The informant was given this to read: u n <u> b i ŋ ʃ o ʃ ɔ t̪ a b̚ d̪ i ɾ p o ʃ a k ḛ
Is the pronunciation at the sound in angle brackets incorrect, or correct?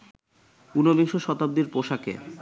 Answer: incorrect